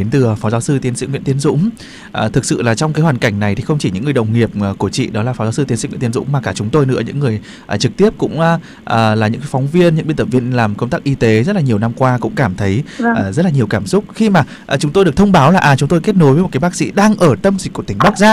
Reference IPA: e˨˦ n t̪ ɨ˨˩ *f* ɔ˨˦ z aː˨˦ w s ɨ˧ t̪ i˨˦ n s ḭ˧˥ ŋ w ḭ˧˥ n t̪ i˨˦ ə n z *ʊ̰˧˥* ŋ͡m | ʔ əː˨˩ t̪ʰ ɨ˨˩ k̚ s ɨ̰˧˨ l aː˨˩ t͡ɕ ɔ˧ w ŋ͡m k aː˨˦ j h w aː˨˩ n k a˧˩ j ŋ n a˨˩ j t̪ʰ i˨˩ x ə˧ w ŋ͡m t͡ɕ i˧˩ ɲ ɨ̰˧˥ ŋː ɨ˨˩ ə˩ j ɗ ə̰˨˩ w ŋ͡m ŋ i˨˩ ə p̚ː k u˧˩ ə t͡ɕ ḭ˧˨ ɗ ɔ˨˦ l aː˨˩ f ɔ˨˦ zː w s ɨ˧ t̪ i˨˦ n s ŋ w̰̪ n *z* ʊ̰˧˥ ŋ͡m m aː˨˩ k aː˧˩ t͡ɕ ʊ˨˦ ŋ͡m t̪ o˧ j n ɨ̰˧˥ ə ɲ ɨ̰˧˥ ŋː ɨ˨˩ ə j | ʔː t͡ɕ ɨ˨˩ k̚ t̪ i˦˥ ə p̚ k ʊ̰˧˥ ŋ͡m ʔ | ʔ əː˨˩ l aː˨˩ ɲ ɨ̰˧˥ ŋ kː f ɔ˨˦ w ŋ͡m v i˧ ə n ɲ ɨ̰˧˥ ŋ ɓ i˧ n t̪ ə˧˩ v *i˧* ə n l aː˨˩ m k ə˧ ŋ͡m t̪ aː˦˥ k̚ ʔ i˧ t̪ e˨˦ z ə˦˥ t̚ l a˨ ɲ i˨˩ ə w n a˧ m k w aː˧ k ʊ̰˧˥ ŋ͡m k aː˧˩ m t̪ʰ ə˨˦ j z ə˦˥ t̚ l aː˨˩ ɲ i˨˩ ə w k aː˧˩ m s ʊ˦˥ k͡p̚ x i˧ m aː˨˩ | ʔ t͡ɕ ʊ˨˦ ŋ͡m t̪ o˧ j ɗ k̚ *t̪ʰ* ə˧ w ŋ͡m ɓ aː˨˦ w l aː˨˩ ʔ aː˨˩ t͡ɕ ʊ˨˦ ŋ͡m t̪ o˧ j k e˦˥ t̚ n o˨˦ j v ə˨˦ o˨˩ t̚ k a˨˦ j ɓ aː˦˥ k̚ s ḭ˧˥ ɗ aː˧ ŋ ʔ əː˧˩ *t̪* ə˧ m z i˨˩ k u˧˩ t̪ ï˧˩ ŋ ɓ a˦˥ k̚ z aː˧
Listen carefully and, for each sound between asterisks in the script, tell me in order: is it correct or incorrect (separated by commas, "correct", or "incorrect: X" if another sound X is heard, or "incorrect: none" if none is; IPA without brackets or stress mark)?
correct, correct, correct, correct, correct, correct